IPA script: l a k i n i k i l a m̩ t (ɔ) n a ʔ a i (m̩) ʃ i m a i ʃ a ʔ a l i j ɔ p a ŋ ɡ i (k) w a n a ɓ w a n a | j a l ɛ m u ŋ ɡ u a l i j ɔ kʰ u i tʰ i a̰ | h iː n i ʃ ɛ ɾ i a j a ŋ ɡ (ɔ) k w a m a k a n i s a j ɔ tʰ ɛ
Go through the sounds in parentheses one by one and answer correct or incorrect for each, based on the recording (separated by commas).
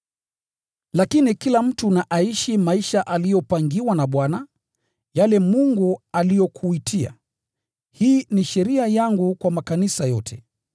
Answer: incorrect, incorrect, incorrect, incorrect